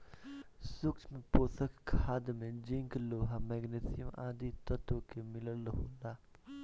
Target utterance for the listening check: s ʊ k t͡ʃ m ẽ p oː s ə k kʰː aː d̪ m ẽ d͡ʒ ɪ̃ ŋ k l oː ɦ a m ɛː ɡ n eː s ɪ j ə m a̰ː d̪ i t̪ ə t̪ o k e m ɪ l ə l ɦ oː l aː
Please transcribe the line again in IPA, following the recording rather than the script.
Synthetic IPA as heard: s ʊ k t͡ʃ m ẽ p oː s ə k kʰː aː d̪ m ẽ d͡ʒ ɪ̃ ŋ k l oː ɦ a m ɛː ɡ n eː s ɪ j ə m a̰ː d̪ i t̪ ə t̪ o k e m ɪ l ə l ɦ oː l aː